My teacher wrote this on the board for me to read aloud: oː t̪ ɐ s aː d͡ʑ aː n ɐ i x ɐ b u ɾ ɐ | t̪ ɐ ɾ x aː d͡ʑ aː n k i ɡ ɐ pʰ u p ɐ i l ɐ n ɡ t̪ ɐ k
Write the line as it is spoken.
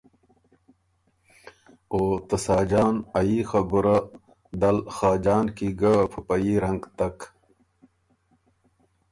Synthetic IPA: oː t̪ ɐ s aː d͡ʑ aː n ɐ i x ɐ b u ɾ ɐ | d̪ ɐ l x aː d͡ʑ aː n k i ɡ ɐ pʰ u p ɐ i ɾ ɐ ŋ ɡ t̪ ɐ k